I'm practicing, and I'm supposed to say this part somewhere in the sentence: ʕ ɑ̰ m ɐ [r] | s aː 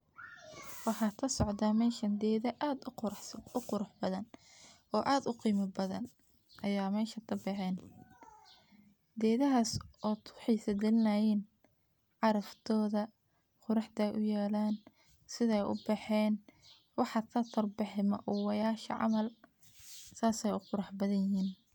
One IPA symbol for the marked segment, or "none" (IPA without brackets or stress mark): l